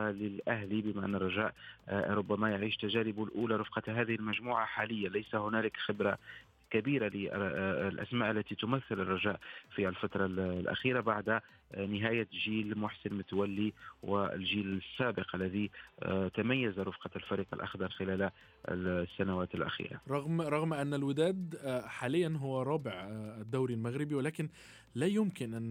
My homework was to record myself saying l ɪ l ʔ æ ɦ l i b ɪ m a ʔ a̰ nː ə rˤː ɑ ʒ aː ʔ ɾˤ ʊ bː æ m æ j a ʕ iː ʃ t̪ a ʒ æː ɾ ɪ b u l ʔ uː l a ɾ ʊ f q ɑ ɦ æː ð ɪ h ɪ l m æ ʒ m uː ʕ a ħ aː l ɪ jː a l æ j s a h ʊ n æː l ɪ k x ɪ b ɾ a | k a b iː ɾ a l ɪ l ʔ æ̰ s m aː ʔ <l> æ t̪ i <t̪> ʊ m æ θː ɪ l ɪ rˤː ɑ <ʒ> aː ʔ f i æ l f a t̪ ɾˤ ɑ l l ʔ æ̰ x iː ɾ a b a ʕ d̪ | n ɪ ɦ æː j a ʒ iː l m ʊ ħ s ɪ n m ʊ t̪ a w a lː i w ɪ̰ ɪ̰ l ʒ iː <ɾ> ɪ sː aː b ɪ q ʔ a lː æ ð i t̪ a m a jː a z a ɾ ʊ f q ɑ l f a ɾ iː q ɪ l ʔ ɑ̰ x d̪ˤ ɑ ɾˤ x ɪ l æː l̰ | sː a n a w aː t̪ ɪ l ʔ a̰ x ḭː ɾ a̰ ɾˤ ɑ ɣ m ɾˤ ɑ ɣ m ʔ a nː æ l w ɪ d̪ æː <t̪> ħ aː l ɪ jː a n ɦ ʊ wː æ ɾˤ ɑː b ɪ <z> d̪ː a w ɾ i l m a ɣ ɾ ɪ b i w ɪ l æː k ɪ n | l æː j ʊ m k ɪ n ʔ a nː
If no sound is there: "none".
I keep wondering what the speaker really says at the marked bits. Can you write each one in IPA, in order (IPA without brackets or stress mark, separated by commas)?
lː, t̪, ʒ, l, d̪, ʕ